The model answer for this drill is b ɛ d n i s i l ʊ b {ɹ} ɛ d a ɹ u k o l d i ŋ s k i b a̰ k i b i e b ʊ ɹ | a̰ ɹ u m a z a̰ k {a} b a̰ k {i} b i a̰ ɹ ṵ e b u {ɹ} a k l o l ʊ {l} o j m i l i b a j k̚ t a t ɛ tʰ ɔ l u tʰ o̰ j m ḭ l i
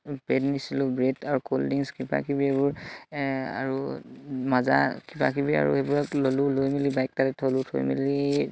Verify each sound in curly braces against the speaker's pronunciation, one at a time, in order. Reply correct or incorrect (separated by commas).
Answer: correct, incorrect, correct, correct, correct